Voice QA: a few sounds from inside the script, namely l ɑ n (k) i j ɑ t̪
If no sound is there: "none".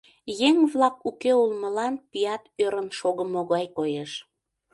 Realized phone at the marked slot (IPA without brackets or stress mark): p